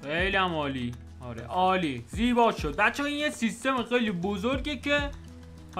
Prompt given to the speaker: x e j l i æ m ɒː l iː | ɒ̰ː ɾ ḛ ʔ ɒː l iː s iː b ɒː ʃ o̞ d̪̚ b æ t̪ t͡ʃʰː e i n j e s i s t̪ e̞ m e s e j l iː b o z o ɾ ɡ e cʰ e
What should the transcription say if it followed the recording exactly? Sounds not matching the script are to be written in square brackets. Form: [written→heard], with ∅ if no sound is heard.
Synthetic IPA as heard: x e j l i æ m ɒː l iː | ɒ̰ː ɾ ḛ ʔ ɒː l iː [s→z] iː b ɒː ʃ o̞ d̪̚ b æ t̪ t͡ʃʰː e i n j e s i s t̪ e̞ m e [s→x] e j l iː b o z o ɾ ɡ e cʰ e